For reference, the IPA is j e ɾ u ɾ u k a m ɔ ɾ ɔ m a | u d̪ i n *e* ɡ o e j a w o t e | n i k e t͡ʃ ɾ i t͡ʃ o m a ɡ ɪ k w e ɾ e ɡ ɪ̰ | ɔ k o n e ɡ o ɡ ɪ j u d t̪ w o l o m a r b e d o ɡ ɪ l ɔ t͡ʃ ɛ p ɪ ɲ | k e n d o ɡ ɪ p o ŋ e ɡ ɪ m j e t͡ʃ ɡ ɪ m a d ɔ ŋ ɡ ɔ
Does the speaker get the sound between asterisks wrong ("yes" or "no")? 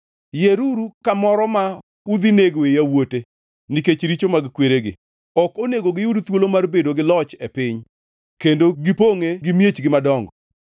no